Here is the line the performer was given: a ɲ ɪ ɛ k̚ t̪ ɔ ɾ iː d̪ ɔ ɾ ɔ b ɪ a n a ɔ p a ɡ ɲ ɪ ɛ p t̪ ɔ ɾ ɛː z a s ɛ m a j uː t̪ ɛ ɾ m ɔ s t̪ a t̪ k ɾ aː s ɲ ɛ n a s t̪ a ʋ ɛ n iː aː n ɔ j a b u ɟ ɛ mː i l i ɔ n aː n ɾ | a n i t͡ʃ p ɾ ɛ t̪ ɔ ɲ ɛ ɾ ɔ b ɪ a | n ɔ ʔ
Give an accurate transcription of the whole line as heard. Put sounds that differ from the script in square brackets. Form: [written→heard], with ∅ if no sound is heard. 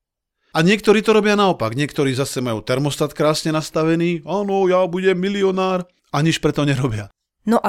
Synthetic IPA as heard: a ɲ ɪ ɛ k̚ t̪ ɔ ɾ iː [d̪→t̪] ɔ ɾ ɔ b ɪ a n a ɔ p a ɡ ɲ ɪ ɛ [p→k] t̪ ɔ ɾ [ɛː→iː] z a s ɛ m a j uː t̪ ɛ ɾ m ɔ s t̪ a t̪ k ɾ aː s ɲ ɛ n a s t̪ a ʋ ɛ n iː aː n ɔ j a b u ɟ ɛ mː i l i ɔ n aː [n→∅] ɾ | a [n→ɲ] i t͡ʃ p ɾ ɛ t̪ ɔ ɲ ɛ ɾ ɔ b ɪ a | n ɔ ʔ